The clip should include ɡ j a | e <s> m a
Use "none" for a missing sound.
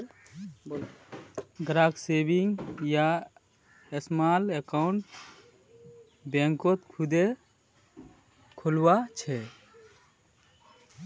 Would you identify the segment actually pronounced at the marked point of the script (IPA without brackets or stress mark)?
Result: s